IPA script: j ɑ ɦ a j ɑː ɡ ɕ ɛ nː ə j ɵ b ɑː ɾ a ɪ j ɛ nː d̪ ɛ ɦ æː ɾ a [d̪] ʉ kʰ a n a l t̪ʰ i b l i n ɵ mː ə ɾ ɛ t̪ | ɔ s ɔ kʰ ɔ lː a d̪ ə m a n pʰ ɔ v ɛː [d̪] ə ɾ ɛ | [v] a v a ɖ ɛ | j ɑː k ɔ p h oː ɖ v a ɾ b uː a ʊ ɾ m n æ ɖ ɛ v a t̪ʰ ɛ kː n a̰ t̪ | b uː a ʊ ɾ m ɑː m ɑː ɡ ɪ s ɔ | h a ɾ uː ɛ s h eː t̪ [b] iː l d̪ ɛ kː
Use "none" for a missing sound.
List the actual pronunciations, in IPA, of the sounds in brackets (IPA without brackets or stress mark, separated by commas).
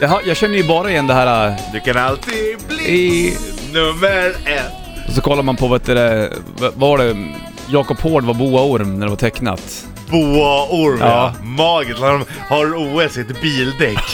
d̪, t̪, v, b